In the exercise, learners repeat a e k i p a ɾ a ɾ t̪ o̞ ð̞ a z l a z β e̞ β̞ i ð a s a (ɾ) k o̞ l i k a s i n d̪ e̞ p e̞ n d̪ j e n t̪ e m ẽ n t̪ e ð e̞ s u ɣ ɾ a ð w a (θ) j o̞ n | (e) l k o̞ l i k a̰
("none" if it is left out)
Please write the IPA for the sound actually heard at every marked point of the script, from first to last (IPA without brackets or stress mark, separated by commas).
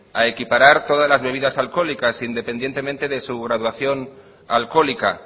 l, θ, a